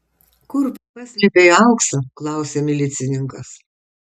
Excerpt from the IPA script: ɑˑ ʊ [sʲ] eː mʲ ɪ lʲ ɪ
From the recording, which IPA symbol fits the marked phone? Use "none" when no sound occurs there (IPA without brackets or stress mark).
sʲ